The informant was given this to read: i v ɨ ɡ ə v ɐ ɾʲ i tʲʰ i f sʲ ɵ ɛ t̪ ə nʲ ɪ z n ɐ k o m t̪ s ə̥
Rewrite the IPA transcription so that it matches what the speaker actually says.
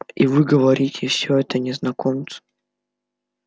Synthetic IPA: i v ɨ ɡ ə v ɐ ɾʲ i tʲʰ ɪ f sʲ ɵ ɛ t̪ ə nʲ ɪ z n ɐ k o m t̪ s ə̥